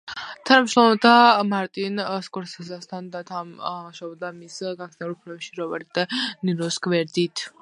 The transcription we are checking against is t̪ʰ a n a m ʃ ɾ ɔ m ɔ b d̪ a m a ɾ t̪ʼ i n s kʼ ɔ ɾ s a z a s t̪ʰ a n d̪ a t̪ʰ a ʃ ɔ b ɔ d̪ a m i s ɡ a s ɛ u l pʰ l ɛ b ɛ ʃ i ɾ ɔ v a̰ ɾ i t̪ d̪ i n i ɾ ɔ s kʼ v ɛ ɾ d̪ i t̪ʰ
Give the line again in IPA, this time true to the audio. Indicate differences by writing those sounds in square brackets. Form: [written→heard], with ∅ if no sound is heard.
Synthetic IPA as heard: t̪ʰ a n a m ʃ ɾ ɔ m ɔ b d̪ a m a ɾ t̪ʼ i n s kʼ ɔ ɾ s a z a s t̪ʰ a n d̪ a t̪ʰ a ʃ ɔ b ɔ d̪ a m i s ɡ a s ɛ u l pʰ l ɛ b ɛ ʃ i ɾ ɔ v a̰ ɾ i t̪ d̪ [i→a] n i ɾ ɔ s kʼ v ɛ ɾ d̪ i t̪ʰ

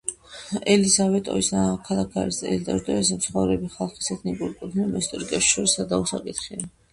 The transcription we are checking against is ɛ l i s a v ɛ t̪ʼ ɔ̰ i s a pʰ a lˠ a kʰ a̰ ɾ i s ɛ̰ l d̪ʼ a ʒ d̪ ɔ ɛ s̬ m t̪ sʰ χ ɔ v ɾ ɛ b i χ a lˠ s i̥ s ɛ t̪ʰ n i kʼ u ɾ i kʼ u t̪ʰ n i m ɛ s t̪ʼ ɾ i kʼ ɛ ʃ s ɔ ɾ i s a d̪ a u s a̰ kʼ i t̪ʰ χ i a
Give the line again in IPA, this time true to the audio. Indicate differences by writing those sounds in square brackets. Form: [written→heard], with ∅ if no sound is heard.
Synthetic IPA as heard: ɛ l i s a v ɛ t̪ʼ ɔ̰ i s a [pʰ→kʰ] a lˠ a kʰ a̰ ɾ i s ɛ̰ l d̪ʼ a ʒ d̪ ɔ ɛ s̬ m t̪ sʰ χ ɔ v ɾ ɛ b i χ a lˠ [s→χ] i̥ s ɛ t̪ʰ n i kʼ u ɾ i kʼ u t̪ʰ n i m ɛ s t̪ʼ ɾ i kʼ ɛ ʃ [s→ʃ] ɔ ɾ i s a d̪ a u s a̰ kʼ i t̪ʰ χ i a

